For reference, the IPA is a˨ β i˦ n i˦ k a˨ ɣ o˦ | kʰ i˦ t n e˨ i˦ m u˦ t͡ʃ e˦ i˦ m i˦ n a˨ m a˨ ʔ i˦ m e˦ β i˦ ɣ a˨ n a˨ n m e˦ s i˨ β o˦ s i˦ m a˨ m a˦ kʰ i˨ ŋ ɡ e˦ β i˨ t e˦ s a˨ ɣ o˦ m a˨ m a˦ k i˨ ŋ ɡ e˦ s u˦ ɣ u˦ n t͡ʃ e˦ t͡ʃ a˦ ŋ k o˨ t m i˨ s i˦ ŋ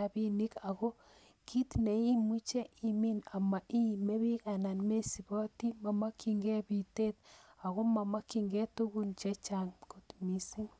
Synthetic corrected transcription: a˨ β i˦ n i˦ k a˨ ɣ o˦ | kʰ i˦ t n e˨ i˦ m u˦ t͡ʃ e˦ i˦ m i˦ n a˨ m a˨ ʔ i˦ m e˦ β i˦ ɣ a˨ n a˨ n m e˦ s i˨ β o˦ t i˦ m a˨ m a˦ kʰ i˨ ŋ ɡ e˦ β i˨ t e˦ t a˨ ɣ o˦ m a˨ m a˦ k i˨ ŋ ɡ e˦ t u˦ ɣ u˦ n t͡ʃ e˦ t͡ʃ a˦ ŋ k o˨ t m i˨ s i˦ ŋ